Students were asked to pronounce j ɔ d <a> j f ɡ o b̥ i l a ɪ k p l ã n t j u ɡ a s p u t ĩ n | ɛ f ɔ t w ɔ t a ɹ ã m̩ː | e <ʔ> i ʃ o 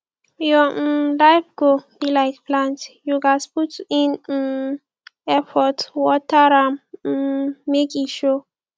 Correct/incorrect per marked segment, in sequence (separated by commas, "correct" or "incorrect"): correct, incorrect